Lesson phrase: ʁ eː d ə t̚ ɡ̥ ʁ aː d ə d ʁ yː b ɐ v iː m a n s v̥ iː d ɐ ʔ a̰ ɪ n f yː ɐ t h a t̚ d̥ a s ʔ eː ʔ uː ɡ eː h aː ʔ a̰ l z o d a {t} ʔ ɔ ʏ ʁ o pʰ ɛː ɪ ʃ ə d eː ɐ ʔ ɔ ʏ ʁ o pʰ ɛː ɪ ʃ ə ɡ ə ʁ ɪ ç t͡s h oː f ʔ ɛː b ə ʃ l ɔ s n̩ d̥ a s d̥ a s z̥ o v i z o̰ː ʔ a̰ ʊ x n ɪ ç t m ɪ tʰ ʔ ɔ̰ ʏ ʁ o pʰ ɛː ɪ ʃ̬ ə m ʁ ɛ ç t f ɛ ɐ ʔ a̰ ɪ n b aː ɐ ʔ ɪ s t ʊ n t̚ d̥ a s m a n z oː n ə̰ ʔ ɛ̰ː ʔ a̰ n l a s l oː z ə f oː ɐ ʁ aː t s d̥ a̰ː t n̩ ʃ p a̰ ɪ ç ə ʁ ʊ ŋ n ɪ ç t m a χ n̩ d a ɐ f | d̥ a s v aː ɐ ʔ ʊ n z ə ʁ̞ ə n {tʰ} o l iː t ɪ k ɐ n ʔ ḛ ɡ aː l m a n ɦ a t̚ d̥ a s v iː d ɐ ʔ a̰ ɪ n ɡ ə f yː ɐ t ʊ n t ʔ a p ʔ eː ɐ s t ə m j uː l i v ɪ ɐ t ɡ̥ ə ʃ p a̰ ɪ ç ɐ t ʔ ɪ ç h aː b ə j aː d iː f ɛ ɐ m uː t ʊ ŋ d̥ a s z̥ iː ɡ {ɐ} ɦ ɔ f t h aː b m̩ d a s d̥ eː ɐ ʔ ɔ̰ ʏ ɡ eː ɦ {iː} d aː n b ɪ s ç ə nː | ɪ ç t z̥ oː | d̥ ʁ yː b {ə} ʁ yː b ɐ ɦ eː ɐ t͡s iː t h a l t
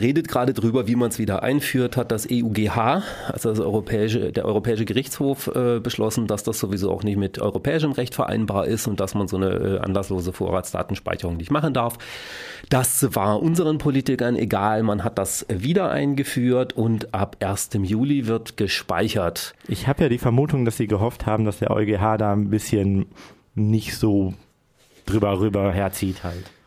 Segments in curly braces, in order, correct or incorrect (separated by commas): incorrect, incorrect, incorrect, incorrect, incorrect